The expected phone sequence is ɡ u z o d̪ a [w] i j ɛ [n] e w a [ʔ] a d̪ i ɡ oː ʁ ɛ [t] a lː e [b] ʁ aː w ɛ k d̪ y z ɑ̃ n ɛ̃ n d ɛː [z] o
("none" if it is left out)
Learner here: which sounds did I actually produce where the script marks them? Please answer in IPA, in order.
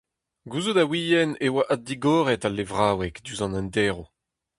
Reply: w, n, ʔ, t, v, ʁ

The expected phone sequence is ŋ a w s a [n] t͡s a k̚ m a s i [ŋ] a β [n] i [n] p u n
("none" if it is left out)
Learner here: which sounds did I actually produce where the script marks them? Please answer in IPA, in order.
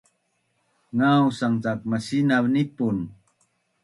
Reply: ŋ, n, n, none

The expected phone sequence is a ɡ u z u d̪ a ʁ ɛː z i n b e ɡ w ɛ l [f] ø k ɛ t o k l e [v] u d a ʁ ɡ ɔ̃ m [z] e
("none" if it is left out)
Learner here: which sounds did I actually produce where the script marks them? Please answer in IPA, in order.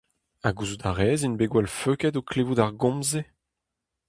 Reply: f, v, z

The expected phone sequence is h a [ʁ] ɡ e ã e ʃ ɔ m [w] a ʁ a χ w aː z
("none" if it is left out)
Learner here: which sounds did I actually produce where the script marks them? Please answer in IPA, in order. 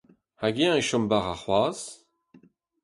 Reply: none, b

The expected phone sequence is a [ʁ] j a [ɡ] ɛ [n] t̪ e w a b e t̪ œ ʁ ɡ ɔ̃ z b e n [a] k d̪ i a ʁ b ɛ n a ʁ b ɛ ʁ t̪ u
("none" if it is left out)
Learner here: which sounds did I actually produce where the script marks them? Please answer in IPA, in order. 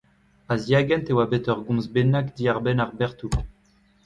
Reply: z, ɡ, n, a

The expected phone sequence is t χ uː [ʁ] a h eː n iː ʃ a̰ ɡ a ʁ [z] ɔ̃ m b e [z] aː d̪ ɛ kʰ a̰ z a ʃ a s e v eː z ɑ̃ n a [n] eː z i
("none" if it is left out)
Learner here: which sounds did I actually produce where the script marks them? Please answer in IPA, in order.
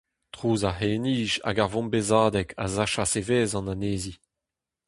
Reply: z, v, z, n

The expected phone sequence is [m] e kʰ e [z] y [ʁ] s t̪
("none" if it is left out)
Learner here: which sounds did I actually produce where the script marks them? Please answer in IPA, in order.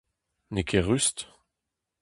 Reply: n, ʁ, none

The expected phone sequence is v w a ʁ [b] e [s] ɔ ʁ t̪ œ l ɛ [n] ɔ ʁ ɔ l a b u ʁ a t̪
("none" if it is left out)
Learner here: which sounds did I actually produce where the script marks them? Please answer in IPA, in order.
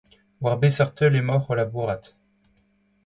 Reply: b, s, m

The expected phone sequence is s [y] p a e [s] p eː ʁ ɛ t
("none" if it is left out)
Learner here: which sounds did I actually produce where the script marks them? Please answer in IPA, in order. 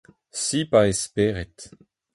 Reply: i, s

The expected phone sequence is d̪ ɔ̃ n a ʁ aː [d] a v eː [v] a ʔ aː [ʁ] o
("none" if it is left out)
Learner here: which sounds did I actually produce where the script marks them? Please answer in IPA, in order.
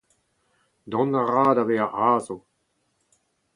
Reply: d, none, z

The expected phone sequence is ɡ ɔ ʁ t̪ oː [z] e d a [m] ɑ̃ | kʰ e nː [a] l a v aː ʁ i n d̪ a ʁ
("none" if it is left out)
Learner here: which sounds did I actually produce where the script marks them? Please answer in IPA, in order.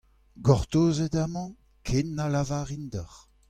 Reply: z, m, a

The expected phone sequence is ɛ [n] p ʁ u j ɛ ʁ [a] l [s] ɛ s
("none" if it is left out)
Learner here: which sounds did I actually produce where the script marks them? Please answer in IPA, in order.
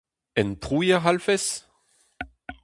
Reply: n, a, f

